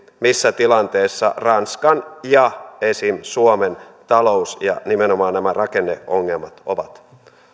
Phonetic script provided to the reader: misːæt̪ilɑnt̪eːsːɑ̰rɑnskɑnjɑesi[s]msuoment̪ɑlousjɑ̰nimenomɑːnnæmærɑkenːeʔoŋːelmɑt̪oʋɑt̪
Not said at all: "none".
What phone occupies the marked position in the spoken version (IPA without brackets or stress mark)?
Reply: none